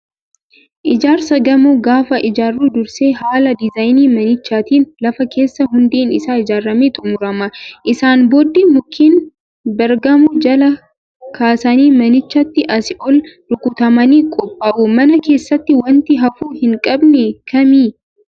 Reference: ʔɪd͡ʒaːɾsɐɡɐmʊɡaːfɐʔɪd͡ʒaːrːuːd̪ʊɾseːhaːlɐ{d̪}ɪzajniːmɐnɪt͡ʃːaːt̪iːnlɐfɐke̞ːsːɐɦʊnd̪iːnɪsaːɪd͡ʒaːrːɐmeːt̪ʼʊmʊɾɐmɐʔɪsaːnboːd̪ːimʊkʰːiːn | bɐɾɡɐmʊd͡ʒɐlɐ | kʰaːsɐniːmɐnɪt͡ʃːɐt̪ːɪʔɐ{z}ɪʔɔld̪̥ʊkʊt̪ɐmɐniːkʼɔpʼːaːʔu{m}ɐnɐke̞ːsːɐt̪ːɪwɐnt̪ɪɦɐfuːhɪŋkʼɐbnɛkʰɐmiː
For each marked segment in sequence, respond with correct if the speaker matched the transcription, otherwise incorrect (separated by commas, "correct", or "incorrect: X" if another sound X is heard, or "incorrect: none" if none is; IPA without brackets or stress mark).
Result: correct, incorrect: s, correct